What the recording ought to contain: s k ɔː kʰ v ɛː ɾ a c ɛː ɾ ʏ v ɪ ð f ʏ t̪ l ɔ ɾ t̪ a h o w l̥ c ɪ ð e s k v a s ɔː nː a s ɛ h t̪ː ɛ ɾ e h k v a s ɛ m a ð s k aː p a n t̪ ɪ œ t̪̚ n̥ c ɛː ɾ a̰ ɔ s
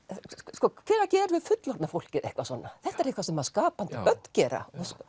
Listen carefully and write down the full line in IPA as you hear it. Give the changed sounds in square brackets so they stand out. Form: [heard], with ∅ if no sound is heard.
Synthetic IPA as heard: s k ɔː kʰ v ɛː ɾ a c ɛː ɾ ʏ v ɪ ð f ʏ t̪ l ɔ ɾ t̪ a [f] o w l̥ c ɪ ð e [h] k v a s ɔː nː a [θ] ɛ h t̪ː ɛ ɾ e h k v a s ɛ m a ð s k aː p a n t̪ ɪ œ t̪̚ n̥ c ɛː ɾ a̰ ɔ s